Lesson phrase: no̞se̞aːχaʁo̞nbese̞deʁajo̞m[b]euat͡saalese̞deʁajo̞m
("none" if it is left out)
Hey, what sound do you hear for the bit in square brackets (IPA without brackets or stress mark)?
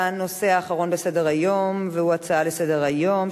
v